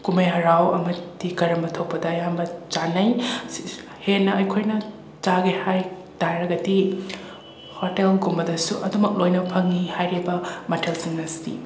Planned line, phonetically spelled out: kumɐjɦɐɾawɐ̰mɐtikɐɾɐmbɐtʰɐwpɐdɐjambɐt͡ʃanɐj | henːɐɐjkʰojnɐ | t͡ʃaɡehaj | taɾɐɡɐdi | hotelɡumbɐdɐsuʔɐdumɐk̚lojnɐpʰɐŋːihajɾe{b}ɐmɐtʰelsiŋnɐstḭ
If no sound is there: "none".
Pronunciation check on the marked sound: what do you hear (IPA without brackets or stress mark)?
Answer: b